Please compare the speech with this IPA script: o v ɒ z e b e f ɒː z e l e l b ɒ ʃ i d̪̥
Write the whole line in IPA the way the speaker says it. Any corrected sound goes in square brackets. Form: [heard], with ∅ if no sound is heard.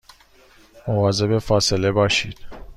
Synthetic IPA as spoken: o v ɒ z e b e f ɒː [s] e l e [∅] b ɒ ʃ i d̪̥